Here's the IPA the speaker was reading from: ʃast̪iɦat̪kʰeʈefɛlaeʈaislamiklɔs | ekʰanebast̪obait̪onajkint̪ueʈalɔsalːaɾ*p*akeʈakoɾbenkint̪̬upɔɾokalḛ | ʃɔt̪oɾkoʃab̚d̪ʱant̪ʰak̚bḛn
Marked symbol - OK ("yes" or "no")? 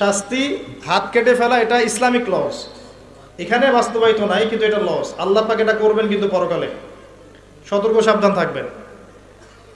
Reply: yes